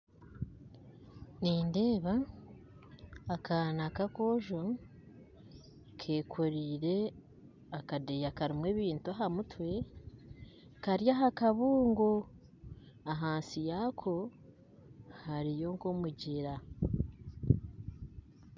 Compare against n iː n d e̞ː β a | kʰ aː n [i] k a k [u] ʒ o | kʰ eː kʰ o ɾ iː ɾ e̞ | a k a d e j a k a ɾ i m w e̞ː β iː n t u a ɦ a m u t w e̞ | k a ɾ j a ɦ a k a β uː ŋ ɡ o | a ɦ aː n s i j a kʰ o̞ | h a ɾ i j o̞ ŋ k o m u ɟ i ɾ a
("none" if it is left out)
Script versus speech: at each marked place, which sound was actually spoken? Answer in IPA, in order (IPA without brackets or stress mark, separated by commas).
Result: a, o